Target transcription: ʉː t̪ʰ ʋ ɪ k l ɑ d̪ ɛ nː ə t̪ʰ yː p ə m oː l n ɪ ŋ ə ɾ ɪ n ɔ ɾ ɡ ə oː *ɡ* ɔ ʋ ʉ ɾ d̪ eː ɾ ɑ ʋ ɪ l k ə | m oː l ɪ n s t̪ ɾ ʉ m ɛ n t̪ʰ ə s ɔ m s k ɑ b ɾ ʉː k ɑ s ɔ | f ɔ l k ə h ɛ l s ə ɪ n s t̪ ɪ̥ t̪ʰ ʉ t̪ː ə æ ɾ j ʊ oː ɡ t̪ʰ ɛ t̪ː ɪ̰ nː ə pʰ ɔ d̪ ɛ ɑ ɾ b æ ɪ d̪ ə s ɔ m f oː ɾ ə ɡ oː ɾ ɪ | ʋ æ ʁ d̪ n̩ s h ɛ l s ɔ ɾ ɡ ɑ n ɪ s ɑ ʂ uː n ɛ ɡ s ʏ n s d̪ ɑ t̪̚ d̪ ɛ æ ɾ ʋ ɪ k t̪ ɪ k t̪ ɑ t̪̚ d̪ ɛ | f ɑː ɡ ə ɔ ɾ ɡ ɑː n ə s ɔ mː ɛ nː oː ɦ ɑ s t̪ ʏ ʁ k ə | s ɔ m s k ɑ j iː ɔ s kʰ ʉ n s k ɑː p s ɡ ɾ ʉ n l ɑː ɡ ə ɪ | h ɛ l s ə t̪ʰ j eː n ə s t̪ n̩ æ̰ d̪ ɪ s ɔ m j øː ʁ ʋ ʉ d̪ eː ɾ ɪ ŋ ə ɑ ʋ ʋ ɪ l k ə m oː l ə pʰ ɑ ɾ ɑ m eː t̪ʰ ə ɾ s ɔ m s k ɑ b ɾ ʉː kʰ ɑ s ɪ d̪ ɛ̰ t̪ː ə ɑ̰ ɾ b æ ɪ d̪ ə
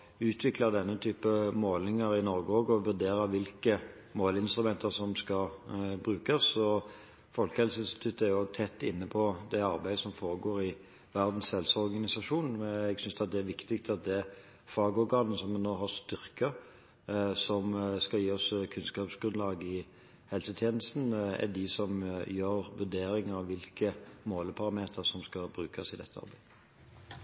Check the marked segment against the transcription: correct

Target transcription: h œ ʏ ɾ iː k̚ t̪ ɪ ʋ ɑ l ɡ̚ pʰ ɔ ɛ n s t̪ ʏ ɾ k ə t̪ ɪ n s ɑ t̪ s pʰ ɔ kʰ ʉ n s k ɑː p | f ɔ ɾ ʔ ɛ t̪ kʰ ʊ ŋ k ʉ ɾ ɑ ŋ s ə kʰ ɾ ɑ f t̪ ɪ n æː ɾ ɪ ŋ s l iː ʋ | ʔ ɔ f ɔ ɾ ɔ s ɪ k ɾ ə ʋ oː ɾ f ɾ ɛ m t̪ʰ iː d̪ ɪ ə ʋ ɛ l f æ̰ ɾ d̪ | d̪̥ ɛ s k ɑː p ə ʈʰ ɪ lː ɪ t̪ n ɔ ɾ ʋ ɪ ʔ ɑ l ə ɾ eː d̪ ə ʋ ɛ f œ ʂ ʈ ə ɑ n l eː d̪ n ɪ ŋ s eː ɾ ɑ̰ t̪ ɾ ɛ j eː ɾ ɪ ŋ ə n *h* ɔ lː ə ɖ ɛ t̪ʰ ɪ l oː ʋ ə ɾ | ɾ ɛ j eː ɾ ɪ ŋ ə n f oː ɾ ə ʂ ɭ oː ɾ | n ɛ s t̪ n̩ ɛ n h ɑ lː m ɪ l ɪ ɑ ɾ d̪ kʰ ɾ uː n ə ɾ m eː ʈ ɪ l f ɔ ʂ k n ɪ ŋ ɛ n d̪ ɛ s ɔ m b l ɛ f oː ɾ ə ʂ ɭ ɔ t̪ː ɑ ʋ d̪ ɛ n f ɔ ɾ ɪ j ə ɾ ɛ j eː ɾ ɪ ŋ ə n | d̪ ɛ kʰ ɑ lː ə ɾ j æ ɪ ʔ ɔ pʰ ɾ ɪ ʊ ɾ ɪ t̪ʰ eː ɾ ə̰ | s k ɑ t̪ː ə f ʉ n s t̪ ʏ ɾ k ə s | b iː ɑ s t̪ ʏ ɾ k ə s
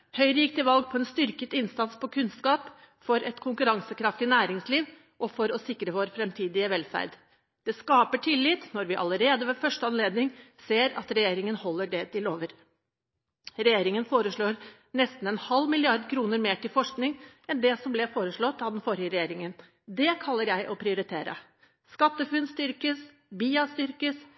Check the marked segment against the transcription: correct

